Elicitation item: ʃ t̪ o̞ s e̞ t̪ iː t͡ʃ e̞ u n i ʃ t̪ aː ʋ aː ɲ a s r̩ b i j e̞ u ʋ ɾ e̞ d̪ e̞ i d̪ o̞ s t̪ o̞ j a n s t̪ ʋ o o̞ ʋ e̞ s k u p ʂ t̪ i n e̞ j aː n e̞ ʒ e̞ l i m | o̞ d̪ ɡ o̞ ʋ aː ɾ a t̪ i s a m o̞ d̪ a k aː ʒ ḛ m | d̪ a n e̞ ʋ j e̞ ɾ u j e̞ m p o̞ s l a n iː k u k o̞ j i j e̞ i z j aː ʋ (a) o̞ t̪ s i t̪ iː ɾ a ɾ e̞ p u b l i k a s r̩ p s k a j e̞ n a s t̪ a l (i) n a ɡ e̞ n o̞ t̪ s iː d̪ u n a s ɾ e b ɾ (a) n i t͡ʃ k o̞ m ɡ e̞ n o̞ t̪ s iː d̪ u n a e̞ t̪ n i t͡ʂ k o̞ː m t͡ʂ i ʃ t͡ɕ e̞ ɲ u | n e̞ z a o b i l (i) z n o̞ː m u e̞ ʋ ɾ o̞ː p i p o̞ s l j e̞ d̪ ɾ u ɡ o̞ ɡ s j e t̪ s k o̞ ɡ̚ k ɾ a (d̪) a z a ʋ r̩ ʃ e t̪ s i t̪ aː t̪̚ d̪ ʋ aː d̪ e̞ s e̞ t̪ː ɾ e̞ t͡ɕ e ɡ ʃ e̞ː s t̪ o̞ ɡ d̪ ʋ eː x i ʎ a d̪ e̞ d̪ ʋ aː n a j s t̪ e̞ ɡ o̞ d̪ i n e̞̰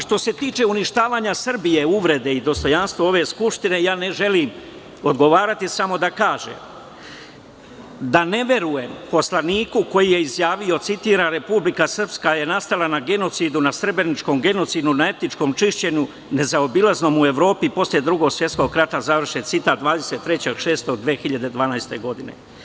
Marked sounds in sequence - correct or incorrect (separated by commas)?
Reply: incorrect, incorrect, incorrect, incorrect, incorrect